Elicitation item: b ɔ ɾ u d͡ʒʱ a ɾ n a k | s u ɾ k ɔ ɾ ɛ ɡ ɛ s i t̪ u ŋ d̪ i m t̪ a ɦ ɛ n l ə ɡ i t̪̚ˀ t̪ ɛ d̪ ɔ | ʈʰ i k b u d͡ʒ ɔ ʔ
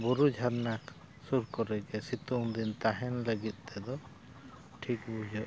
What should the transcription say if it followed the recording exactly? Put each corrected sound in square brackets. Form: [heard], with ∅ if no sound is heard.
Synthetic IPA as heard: b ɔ ɾ u d͡ʒʱ a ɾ n a k | s u ɾ k ɔ ɾ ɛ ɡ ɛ s i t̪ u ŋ d̪ i [n] t̪ a ɦ ɛ n l ə ɡ i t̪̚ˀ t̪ ɛ d̪ ɔ | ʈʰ i k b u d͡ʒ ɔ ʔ